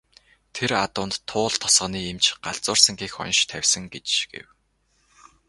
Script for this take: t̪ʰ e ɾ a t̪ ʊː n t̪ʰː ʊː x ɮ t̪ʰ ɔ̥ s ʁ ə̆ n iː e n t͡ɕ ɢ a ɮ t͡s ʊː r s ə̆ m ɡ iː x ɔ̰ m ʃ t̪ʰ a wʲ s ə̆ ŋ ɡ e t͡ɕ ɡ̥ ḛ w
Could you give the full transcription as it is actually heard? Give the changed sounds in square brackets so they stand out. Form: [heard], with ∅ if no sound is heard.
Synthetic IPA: t̪ʰ e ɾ a t̪ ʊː n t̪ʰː ʊː [∅] ɮ t̪ʰ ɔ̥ s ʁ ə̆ n iː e [m] t͡ɕ ɢ a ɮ t͡s ʊː r s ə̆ [ŋ] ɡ iː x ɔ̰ [n] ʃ t̪ʰ [æ] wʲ s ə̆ ŋ ɡ e t͡ɕ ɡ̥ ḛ w